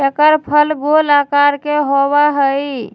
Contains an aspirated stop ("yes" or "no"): yes